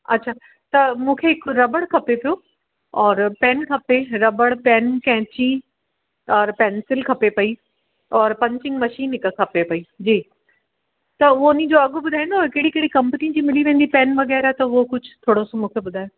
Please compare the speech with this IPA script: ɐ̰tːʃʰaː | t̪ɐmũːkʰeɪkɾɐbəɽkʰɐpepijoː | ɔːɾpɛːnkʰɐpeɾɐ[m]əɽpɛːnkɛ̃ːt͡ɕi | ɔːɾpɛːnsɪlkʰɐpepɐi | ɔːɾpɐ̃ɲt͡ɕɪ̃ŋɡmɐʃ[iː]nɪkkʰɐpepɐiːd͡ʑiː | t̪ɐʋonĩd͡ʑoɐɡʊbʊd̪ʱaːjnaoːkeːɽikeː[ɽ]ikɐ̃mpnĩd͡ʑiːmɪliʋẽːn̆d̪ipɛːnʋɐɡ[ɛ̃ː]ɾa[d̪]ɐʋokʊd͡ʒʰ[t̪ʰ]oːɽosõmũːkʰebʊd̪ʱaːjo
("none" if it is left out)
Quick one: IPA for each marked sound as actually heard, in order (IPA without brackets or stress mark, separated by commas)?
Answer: b, iː, ɽ, ɛː, t̪, t̪ʰ